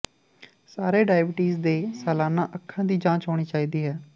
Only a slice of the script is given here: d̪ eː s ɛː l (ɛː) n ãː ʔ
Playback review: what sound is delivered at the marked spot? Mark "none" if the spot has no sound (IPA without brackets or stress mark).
aː